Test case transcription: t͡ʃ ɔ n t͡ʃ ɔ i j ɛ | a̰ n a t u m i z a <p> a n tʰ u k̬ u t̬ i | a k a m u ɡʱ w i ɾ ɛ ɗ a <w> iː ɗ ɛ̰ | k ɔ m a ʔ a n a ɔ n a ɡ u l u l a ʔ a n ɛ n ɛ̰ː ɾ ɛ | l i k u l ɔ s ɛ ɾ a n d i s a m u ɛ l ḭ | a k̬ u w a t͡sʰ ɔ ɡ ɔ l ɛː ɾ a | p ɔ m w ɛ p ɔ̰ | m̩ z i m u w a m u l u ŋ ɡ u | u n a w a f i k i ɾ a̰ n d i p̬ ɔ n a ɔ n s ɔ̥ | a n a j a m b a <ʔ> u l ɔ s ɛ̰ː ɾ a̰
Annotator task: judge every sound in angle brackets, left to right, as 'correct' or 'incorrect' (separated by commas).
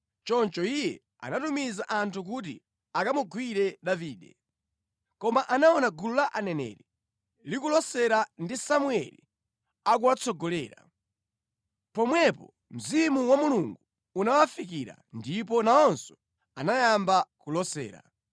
incorrect, incorrect, incorrect